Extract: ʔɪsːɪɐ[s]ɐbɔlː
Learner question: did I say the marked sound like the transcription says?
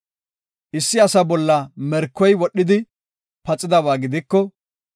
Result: yes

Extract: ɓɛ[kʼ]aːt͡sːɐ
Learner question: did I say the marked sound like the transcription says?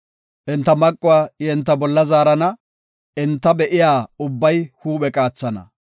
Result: yes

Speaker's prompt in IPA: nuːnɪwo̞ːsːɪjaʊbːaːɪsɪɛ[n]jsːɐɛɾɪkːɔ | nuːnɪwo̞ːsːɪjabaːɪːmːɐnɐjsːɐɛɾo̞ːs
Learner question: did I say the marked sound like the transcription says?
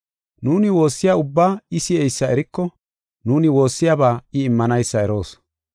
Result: no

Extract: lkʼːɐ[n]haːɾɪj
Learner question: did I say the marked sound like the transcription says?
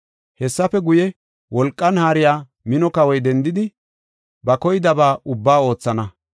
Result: yes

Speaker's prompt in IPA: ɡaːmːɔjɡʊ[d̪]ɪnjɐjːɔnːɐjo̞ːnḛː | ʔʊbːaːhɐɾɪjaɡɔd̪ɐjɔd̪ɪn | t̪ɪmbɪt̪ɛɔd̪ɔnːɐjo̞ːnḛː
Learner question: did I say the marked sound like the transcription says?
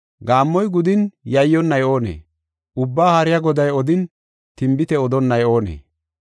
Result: yes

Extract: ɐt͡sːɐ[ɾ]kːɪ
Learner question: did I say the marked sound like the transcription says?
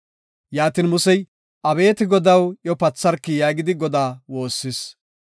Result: yes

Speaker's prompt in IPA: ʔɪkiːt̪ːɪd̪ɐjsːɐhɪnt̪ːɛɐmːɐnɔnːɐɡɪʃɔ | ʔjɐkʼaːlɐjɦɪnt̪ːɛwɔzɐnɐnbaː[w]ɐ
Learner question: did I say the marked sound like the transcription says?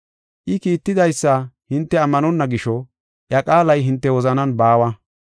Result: yes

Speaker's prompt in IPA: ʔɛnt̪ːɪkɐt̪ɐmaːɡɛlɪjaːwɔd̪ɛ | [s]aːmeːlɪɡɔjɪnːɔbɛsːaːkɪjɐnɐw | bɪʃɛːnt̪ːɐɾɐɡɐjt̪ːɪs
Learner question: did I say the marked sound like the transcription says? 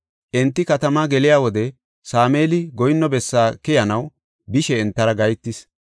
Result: yes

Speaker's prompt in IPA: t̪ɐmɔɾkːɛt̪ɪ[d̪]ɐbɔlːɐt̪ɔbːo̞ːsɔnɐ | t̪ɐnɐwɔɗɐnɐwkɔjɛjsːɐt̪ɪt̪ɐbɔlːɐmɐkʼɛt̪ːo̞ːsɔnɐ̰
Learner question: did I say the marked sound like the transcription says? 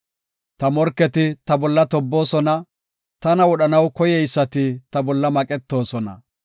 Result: no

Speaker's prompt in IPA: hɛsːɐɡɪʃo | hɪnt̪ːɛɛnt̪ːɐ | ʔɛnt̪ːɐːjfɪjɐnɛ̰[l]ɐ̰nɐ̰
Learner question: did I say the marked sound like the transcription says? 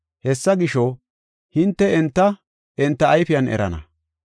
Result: no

